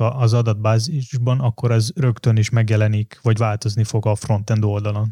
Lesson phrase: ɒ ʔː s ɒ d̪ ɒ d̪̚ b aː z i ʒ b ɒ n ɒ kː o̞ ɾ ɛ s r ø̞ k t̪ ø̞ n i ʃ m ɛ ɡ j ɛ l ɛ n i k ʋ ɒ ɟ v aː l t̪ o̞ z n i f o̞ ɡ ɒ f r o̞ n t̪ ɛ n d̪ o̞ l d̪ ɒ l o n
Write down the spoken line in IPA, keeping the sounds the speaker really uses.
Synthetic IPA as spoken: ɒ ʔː z ɒ d̪ ɒ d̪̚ b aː z i ʒ b ɒ n ɒ kː o̞ ɾ ɛ z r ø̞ k t̪ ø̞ n i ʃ m ɛ ɡ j ɛ l ɛ n i k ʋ ɒ ɟ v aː l t̪ o̞ z n i f o̞ ɡ ɒ f r o̞ n t̪ ɛ n d̪ o̞ l d̪ ɒ l o n